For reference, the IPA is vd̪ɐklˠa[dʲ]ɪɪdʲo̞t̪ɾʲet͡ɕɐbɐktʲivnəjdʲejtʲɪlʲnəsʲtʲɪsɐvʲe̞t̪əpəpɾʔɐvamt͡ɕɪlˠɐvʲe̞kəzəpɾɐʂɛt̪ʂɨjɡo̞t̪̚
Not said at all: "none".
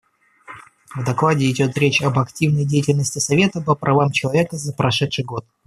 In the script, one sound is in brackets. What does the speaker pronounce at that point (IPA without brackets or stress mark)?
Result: dʲ